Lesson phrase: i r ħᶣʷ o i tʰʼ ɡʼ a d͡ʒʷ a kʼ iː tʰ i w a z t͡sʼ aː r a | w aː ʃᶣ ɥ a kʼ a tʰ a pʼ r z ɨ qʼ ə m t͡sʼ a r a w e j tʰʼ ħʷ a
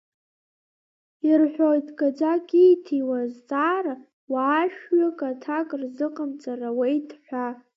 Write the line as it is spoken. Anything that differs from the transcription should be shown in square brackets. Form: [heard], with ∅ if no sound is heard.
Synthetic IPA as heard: i r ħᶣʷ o [j] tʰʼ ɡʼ a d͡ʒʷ a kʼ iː tʰ i w a z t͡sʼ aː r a | w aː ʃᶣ ɥ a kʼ a tʰ a [kʼ] r z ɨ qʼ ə m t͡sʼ a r a w e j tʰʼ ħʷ a